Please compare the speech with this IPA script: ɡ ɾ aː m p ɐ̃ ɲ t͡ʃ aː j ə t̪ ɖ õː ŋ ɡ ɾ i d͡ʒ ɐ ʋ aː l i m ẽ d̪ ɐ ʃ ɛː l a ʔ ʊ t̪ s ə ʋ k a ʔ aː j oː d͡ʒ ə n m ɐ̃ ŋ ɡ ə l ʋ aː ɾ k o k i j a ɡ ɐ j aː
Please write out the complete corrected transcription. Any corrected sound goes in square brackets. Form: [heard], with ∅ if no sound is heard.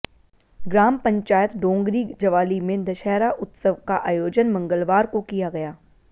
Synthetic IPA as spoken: ɡ ɾ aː m p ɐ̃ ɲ t͡ʃ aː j ə t̪ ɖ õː ŋ ɡ ɾ i d͡ʒ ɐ ʋ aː l i m ẽ d̪ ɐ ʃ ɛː [ɾ] a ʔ ʊ t̪ s ə ʋ k a ʔ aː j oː d͡ʒ ə n m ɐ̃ ŋ ɡ ə l ʋ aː ɾ k o k i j a ɡ ɐ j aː